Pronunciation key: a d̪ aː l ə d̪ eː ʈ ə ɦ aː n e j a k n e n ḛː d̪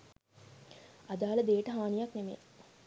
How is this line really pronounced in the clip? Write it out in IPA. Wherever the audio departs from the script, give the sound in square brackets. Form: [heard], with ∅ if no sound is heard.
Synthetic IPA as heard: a d̪ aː l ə d̪ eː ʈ ə ɦ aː n [i] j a k n e [m] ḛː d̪